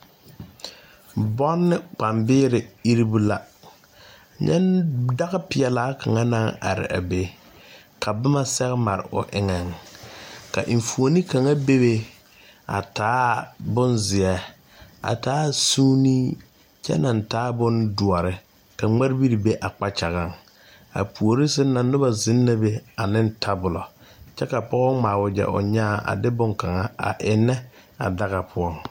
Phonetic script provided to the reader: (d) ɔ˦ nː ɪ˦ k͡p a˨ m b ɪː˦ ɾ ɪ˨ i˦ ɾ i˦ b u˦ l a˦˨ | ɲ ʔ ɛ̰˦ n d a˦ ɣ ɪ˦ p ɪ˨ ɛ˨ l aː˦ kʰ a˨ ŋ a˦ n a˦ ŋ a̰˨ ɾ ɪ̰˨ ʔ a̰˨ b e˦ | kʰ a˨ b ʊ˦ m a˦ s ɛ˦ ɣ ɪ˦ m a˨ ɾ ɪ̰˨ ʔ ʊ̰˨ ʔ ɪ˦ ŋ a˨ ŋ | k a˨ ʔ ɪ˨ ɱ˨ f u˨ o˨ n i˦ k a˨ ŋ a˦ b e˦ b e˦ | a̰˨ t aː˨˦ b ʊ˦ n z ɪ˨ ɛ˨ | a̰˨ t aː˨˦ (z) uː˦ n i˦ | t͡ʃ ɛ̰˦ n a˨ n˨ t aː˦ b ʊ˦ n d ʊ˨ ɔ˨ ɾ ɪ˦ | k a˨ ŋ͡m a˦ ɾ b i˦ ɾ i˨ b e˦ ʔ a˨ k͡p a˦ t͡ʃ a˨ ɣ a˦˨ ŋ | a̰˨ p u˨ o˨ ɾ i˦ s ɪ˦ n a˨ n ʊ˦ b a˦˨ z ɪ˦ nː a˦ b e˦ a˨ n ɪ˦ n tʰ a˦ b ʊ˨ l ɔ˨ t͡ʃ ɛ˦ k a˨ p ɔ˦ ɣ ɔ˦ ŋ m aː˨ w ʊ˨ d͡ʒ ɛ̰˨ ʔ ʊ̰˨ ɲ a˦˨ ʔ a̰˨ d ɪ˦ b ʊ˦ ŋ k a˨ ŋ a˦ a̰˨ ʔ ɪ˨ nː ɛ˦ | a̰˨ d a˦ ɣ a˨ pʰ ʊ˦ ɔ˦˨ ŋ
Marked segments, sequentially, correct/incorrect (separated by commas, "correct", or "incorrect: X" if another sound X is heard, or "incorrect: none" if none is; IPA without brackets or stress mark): incorrect: b, incorrect: s